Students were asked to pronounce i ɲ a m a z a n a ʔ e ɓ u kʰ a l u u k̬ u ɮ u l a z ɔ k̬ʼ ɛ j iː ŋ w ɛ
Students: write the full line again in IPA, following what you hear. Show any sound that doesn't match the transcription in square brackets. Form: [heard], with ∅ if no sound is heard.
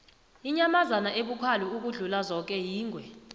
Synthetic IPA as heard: i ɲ a m a z a n a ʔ e ɓ u kʰ a l u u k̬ u ɮ u l a z ɔ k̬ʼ ɛ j iː ŋ w ɛ